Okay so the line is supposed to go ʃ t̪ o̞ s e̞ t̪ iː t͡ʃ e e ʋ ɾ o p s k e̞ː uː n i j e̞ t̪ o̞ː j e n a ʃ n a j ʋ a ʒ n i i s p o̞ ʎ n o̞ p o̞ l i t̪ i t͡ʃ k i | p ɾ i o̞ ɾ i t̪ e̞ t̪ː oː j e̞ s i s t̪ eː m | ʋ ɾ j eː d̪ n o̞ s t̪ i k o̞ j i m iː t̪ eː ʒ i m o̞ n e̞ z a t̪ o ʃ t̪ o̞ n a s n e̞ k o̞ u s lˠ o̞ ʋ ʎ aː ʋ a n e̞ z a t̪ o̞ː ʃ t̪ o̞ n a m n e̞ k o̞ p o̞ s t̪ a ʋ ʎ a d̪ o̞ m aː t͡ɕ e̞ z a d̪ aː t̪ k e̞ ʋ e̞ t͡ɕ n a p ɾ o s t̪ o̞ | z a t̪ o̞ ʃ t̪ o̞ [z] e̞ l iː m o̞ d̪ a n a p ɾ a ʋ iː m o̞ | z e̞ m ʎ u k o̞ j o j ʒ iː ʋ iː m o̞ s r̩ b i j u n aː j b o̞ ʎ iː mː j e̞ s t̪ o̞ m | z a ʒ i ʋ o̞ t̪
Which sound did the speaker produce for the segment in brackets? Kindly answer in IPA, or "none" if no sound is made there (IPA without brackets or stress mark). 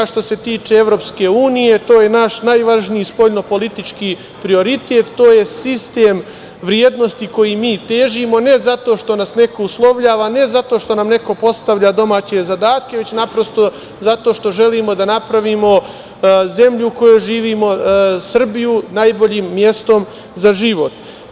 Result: ʒ